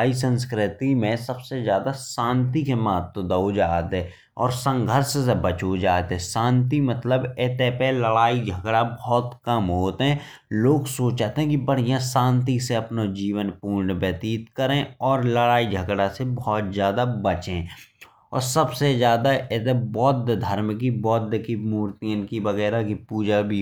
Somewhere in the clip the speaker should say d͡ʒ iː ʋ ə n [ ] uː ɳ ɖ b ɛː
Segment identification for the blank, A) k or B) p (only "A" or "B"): B